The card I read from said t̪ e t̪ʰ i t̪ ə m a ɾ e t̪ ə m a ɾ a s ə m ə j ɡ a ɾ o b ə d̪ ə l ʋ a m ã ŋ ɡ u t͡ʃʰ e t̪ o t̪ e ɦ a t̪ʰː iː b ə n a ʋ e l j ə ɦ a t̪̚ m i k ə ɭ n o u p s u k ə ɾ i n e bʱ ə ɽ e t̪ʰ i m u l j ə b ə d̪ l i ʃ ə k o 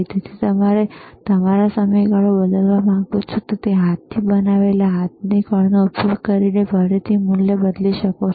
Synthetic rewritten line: t̪ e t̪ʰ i t̪ ə m a ɾ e t̪ ə m a ɾ a s ə m ə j ɡ a ɭ o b ə d̪ ə l ʋ a m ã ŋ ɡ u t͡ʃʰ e t̪ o t̪ e ɦ a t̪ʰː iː b ə n a ʋ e l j a ɦ a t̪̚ n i k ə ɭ n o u p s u k ə ɾ i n e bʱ ə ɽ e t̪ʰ i m u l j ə b ə d̪ l i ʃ ə k o